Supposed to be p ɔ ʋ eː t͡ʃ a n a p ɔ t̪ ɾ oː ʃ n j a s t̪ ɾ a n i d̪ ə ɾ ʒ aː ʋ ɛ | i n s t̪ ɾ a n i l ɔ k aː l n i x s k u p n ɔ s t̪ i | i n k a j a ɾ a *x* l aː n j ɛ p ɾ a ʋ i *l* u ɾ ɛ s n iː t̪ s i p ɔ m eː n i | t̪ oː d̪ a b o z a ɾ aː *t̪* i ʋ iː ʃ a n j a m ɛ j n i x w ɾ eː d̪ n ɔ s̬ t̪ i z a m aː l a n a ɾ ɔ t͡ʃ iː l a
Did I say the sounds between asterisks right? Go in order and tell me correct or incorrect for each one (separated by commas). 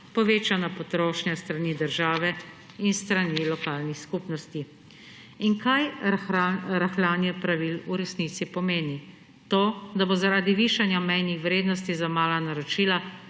correct, correct, incorrect